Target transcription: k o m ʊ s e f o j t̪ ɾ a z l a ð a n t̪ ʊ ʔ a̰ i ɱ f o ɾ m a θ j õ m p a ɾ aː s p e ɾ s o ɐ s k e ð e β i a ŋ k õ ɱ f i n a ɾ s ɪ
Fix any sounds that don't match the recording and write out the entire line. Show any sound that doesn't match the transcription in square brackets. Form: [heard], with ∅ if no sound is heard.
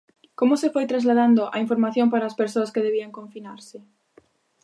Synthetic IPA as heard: k o m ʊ s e f o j t̪ ɾ a z l a ð a n [d̪] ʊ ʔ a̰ i ɱ f o ɾ m a θ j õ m p a ɾ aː s p e ɾ s o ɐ s k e ð e β i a ŋ k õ ɱ f i n a ɾ s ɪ